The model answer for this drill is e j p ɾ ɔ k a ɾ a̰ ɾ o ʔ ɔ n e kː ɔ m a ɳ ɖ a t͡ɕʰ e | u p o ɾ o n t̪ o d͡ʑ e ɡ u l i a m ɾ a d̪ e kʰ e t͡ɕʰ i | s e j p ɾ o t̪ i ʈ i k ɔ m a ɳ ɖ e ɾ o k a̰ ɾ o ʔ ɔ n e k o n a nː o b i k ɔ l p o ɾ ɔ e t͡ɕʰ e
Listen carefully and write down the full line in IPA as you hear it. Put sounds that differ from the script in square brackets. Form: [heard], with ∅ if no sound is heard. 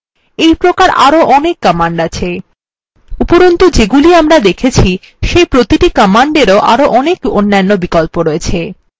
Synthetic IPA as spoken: e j p ɾ [o] k a ɾ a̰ ɾ o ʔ ɔ n e kː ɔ m a ɳ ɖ a t͡ɕʰ e | u p o ɾ o n t̪ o d͡ʑ e ɡ u l i a m ɾ a d̪ e kʰ e t͡ɕʰ i | [ʃ] e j p ɾ o t̪ i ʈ i k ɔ m a ɳ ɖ e ɾ o [ʔ] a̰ ɾ o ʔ ɔ n e k o [nː] a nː o b i k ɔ l p o ɾ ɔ e t͡ɕʰ e